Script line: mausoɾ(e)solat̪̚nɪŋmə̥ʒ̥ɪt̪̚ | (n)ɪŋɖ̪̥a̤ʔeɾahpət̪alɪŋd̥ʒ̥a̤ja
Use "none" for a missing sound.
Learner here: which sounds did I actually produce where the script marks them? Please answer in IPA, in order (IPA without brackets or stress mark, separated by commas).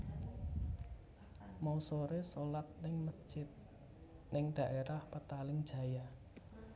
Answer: e, n